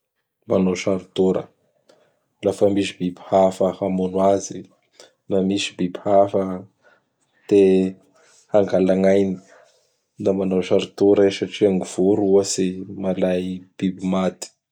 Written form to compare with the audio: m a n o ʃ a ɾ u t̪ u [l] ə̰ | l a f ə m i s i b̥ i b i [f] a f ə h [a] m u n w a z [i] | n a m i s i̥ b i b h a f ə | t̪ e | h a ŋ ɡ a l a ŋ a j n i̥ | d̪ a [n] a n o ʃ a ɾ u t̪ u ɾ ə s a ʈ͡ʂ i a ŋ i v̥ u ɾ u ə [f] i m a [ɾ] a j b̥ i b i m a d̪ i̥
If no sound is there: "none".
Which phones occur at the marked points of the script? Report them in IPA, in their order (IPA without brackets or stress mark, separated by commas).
ɾ, h, a, i, m, s, l